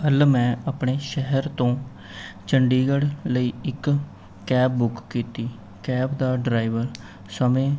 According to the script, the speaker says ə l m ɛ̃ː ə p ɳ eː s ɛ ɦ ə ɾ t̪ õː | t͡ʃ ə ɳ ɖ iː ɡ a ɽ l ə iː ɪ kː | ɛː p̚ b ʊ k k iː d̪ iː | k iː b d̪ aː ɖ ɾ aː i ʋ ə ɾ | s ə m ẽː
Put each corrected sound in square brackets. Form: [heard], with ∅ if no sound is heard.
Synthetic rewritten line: ə l m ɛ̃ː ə p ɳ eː [ʃ] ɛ ɦ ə ɾ t̪ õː | t͡ʃ ə ɳ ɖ iː ɡ [ə] ɽ l ə iː ɪ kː | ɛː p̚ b ʊ k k iː [t̪] iː | k [ɛː] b d̪ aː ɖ ɾ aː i ʋ ə ɾ | s ə m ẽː

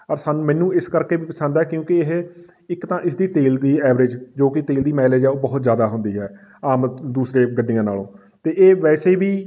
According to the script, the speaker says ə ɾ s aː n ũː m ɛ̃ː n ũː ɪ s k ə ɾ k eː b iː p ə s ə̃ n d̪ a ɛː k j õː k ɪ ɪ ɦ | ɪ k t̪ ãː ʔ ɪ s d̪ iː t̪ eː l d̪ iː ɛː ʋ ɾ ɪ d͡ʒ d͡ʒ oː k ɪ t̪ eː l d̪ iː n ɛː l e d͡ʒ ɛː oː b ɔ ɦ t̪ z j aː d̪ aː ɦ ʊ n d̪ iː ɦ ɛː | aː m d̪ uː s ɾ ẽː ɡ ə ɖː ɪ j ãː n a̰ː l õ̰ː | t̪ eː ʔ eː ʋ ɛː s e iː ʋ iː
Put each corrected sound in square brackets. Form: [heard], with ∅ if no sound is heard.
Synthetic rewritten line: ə ɾ s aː n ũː m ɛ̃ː n ũː ɪ s k ə ɾ k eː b iː p ə s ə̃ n d̪ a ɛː k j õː k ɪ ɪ ɦ | ɪ k t̪ ãː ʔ ɪ s d̪ iː t̪ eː l d̪ iː ɛː ʋ ɾ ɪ d͡ʒ d͡ʒ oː k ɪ t̪ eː l d̪ iː [m] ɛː l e d͡ʒ ɛː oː b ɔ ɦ t̪ z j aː d̪ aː ɦ ʊ n d̪ iː ɦ ɛː | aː m d̪ uː s ɾ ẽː ɡ ə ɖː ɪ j ãː n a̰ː l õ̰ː | t̪ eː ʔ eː ʋ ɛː s e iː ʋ iː

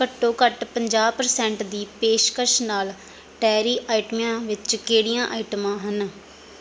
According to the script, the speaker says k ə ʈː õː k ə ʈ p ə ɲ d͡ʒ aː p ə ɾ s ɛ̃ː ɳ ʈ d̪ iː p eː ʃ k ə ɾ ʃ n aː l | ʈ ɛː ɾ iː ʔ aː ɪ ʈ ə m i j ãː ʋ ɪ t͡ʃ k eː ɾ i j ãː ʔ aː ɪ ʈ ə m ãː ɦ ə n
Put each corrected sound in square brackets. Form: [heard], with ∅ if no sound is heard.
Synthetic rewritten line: k ə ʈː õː k ə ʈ p ə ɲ d͡ʒ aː p ə ɾ s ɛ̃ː ɳ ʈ d̪ iː p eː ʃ k ə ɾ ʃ n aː l | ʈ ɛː ɾ iː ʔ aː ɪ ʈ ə m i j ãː ʋ ɪ t͡ʃ k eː [ɽ] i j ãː ʔ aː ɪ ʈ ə m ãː ɦ ə n

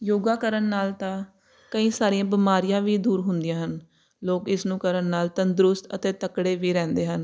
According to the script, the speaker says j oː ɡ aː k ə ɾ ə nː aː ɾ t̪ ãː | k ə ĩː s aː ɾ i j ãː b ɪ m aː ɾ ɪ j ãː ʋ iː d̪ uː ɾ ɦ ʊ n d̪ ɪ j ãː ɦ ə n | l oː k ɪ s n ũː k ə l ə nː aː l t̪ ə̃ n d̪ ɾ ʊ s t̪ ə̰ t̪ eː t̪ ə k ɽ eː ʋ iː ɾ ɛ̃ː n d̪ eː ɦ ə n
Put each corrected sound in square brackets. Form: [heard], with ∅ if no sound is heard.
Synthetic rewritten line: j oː ɡ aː k ə ɾ ə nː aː [l] t̪ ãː | k ə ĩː s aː ɾ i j ãː b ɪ m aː ɾ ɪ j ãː ʋ iː d̪ uː ɾ ɦ ʊ n d̪ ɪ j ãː ɦ ə n | l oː k ɪ s n ũː k ə [ɾ] ə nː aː l t̪ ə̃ n d̪ ɾ ʊ s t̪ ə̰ t̪ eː t̪ ə k ɽ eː ʋ iː ɾ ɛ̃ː n d̪ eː ɦ ə n

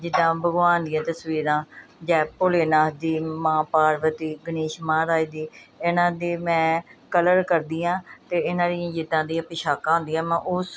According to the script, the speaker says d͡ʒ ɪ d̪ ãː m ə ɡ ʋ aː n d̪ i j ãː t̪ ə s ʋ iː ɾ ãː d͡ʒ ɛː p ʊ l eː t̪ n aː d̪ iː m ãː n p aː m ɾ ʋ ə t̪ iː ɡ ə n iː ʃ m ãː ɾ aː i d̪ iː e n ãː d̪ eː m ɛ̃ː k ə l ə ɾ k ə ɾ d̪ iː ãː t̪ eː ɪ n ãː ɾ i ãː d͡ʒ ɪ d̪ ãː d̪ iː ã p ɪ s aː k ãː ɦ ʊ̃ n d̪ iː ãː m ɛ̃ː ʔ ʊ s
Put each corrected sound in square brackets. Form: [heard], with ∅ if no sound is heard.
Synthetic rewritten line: d͡ʒ ɪ d̪ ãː [b] ə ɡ ʋ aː n d̪ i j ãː t̪ ə s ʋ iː ɾ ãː d͡ʒ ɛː p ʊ l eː [∅] n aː d̪ iː m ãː [∅] p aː [∅] ɾ ʋ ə t̪ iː ɡ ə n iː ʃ m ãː ɾ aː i d̪ iː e n ãː d̪ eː m ɛ̃ː k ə l ə ɾ k ə ɾ d̪ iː ãː t̪ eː ɪ n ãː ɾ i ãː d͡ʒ ɪ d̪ ãː d̪ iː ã p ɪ [ʃ] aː k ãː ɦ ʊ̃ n d̪ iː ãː m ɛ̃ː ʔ ʊ s

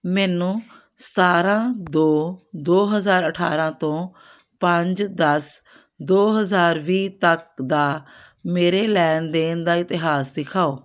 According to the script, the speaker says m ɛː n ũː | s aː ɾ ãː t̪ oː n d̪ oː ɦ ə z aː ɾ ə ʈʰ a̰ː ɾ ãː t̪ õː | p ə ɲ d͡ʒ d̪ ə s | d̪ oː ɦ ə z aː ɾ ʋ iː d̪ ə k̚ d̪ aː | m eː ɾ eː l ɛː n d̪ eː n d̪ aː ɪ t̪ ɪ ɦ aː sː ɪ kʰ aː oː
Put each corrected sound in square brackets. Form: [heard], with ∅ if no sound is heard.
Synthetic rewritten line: m ɛː n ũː | s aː ɾ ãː [d̪] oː [∅] d̪ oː ɦ ə z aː ɾ ə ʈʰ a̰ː ɾ ãː t̪ õː | p ə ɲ d͡ʒ d̪ ə s | d̪ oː ɦ ə z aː ɾ ʋ iː [t̪] ə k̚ d̪ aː | m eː ɾ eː l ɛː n d̪ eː n d̪ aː ɪ t̪ ɪ ɦ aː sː ɪ kʰ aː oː

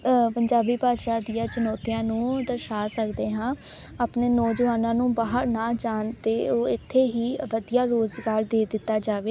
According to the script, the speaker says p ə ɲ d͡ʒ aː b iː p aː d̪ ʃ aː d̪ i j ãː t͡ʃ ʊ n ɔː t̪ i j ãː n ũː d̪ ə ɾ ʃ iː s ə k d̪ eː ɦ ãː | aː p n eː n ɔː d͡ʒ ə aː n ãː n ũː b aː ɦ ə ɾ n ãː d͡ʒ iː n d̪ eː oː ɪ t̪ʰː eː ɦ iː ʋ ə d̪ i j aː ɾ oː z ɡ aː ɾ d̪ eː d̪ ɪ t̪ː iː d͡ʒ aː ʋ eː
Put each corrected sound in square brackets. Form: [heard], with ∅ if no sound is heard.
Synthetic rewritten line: p ə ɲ d͡ʒ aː b iː p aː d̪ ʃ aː d̪ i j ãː t͡ʃ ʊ n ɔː t̪ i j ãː n ũː d̪ ə ɾ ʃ [aː] s ə k d̪ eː ɦ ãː | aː p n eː n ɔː d͡ʒ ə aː n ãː n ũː b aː ɦ ə ɾ n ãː d͡ʒ [aː] n [t̪] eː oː ɪ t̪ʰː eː ɦ iː ʋ ə d̪ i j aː ɾ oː z ɡ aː ɾ d̪ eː d̪ ɪ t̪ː [aː] d͡ʒ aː ʋ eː

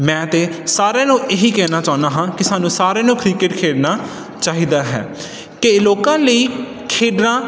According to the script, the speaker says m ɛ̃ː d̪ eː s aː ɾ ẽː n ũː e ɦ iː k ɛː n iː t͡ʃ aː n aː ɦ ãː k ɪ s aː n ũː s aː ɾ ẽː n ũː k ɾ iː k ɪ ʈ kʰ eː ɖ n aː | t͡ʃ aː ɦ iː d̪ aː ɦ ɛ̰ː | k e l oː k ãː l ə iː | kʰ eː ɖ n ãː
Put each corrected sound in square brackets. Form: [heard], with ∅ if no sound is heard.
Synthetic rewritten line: m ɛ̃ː [t̪] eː s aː ɾ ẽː n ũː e ɦ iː k ɛː n [aː] t͡ʃ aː n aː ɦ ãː k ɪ s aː n ũː s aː ɾ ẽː n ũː k ɾ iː k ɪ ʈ kʰ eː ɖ n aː | t͡ʃ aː ɦ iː d̪ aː ɦ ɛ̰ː | k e l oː k ãː l ə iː | kʰ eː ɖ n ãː

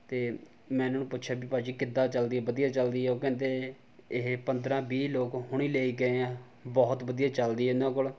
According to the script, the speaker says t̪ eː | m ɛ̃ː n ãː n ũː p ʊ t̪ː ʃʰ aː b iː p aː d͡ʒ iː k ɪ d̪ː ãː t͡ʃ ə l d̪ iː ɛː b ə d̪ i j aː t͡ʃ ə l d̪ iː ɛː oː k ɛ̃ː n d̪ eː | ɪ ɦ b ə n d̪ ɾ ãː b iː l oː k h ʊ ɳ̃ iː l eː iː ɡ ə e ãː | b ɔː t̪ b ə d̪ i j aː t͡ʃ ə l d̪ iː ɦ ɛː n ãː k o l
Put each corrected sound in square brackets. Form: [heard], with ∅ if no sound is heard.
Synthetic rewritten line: t̪ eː | m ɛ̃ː n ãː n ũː p ʊ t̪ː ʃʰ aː b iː p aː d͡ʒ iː k ɪ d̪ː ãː t͡ʃ ə l d̪ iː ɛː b ə d̪ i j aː t͡ʃ ə l d̪ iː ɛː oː k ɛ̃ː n d̪ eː | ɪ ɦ [p] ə n d̪ ɾ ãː b iː l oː k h ʊ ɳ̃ iː l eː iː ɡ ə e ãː | b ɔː t̪ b ə d̪ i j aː t͡ʃ ə l d̪ iː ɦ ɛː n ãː k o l

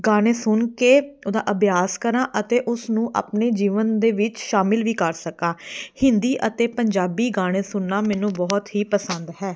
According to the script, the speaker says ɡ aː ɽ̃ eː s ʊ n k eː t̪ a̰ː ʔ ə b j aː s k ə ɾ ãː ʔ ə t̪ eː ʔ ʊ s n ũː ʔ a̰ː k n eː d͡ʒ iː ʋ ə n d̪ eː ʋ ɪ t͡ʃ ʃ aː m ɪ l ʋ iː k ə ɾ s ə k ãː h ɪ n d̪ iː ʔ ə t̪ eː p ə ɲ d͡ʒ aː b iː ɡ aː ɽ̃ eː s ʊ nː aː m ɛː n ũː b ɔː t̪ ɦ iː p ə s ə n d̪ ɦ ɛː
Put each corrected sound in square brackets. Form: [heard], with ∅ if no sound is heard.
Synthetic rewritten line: ɡ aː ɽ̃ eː s ʊ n k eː [d̪] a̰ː ʔ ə b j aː s k ə ɾ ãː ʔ ə t̪ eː ʔ ʊ s n ũː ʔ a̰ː [p] n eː d͡ʒ iː ʋ ə n d̪ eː ʋ ɪ t͡ʃ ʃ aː m ɪ l ʋ iː k ə ɾ s ə k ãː h ɪ n d̪ iː ʔ ə t̪ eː p ə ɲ d͡ʒ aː b iː ɡ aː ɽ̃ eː s ʊ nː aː m ɛː n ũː b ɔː t̪ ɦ iː p ə s ə n d̪ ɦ ɛː

